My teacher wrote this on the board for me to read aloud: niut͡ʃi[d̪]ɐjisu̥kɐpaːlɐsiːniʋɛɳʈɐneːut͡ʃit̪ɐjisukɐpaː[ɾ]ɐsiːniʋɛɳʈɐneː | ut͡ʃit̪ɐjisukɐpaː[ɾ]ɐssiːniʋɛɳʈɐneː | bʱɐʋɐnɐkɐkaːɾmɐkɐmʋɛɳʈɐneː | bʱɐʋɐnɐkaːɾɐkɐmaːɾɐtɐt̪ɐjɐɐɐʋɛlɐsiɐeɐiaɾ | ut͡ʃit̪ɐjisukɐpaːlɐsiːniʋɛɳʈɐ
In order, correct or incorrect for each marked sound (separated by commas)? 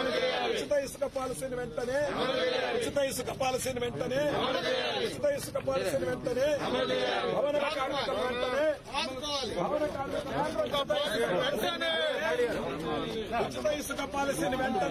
incorrect, incorrect, incorrect